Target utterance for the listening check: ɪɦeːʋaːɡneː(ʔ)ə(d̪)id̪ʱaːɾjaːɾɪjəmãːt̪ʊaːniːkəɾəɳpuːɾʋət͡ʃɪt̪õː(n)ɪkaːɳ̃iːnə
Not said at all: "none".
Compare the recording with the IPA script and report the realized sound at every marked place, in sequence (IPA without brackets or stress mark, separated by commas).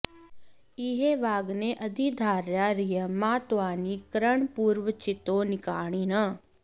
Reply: ʔ, d̪, n